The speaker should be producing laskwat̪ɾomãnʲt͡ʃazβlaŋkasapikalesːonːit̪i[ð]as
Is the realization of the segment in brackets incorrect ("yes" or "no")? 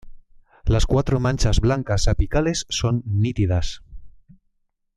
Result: no